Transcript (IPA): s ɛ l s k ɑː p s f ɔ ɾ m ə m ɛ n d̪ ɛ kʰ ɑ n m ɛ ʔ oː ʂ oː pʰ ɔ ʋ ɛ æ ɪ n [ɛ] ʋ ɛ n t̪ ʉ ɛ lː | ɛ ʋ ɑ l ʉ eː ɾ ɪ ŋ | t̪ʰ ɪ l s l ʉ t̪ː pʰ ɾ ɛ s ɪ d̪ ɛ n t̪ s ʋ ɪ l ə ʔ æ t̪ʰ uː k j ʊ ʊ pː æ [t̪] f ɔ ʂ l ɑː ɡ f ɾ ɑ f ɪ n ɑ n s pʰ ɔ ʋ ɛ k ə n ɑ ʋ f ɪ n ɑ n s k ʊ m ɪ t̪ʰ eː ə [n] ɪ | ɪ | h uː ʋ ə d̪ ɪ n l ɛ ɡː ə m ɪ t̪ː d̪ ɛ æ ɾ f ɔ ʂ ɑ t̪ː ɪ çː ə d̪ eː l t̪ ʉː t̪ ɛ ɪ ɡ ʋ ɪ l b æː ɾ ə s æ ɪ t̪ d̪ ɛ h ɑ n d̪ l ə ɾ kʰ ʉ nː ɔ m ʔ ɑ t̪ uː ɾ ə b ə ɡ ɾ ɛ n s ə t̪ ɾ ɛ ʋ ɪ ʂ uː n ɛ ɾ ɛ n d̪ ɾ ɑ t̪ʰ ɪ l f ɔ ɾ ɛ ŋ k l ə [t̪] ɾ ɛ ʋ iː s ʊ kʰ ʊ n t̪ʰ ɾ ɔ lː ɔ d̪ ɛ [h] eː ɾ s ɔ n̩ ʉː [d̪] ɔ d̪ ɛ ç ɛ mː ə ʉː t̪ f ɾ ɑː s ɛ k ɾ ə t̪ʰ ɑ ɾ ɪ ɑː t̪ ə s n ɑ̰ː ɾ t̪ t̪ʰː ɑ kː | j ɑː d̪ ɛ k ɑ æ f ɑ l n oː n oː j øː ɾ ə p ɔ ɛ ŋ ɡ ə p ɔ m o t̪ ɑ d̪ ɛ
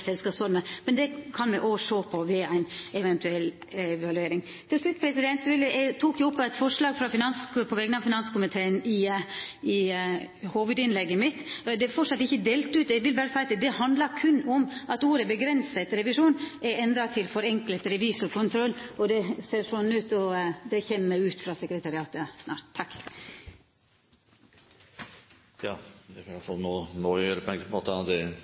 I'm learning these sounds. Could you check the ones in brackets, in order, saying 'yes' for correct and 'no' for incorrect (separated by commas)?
yes, yes, yes, yes, no, no